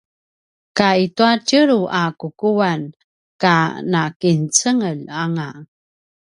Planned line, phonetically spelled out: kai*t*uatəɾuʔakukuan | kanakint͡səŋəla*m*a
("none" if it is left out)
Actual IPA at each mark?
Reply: t, ŋ

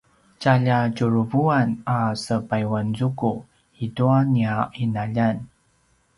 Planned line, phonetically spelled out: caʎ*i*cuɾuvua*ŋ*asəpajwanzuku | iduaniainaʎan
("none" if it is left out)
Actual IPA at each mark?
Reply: a, n

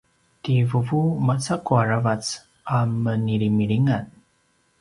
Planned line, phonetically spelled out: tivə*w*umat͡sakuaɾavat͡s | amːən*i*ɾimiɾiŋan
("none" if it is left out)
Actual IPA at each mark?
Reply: v, i

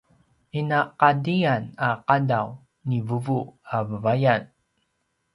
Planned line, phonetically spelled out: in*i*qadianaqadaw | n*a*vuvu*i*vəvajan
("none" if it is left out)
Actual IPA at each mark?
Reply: a, i, a

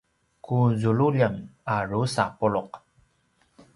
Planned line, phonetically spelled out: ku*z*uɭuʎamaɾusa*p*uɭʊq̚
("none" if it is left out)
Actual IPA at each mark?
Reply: z, p

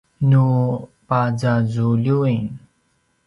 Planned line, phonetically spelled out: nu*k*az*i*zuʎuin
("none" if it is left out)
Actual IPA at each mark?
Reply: p, a

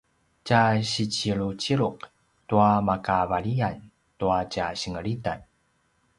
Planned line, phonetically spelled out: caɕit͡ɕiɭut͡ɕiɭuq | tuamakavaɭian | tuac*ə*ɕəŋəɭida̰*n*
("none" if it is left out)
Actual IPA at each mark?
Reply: a, n

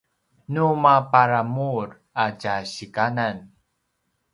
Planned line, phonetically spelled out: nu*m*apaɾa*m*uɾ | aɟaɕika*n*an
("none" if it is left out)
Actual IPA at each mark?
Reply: m, m, n

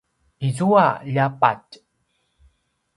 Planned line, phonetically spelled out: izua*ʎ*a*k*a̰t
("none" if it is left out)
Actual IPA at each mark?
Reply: ʎ, p

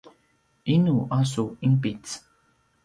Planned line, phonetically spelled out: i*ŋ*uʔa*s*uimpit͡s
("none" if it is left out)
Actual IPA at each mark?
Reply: n, s

